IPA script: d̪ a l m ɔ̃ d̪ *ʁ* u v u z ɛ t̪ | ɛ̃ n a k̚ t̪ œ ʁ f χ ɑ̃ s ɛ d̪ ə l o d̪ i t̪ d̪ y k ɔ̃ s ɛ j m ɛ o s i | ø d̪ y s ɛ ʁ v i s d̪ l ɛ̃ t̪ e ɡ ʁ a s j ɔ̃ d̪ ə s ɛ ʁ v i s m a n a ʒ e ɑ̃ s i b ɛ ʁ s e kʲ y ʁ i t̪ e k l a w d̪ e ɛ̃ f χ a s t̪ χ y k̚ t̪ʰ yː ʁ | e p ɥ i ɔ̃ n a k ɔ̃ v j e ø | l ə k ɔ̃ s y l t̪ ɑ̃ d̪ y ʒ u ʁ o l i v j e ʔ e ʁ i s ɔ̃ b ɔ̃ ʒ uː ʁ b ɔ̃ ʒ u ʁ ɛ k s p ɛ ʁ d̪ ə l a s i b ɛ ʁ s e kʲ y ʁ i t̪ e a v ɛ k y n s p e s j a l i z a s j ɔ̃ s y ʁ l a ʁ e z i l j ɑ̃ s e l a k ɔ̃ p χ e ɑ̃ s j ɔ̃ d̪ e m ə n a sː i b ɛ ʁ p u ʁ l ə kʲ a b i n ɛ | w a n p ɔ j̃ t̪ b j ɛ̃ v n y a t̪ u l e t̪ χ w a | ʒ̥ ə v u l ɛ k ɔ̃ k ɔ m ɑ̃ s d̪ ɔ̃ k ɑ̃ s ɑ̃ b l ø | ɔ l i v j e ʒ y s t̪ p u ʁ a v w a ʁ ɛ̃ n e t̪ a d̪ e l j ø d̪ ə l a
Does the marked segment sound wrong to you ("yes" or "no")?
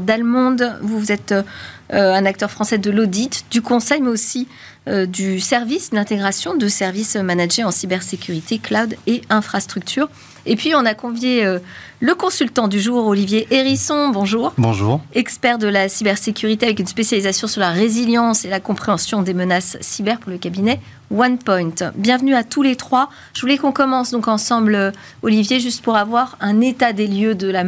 yes